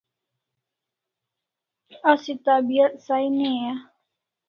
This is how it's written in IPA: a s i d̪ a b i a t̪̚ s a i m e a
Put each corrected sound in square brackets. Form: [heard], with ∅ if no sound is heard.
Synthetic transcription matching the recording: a s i [t̪] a b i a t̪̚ s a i [n] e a